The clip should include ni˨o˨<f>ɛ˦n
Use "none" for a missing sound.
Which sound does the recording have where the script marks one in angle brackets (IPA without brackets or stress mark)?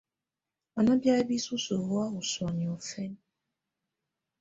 f